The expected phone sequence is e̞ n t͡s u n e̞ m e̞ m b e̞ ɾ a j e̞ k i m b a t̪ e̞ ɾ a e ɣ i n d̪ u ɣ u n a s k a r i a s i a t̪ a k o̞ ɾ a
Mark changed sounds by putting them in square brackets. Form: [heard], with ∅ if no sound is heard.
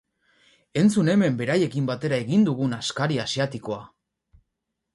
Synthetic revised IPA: e̞ n t͡s u n e̞ m e̞ m b e̞ ɾ a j e̞ k i m b a t̪ e̞ ɾ a e ɣ i n d̪ u ɣ u n a s k a [ɾ] i a s i a t̪ [i] k o̞ [∅] a